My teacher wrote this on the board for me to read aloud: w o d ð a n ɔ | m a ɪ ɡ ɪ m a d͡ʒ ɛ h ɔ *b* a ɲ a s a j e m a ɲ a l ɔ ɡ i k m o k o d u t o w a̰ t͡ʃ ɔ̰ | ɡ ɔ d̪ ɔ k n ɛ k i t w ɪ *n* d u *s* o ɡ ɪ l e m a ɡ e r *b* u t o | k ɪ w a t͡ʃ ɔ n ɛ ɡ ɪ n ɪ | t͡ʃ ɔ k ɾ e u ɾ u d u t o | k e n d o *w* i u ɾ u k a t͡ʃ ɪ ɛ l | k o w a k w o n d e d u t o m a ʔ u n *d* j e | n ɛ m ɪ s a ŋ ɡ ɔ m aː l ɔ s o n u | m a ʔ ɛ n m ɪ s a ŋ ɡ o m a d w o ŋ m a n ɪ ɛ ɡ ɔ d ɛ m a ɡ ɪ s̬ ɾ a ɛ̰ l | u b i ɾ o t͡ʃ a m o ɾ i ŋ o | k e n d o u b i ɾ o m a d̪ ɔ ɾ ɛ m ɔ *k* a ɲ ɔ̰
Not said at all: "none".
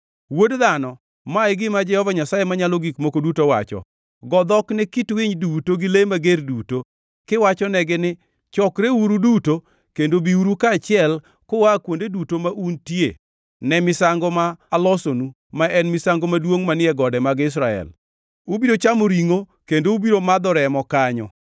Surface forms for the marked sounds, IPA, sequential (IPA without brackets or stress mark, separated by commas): v, ɲ, t, d, b, t, k